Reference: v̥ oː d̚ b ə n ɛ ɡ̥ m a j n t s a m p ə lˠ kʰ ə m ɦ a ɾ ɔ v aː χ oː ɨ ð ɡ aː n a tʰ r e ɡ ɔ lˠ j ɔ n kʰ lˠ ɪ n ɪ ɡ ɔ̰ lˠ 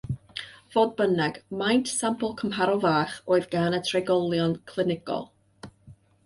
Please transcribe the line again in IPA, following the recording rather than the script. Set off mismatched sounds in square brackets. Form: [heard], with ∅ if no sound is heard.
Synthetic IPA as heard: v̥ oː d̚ b ə n ɛ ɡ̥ m a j n t s a m p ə lˠ kʰ ə m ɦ a ɾ ɔ v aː χ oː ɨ ð ɡ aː n [ə] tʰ r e ɡ ɔ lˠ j ɔ n kʰ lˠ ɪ n ɪ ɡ ɔ̰ lˠ